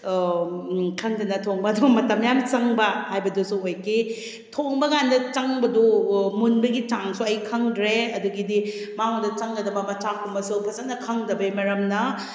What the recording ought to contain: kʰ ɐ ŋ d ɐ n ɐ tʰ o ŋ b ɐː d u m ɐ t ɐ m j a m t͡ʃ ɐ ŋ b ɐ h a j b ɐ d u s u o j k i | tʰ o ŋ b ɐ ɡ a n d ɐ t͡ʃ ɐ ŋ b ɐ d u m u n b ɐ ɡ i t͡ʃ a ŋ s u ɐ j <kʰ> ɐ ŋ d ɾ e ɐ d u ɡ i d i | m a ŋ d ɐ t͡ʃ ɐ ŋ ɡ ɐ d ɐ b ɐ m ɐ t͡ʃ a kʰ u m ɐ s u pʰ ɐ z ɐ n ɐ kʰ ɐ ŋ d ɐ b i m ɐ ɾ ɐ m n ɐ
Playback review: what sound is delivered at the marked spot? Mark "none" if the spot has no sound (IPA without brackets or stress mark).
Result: kʰ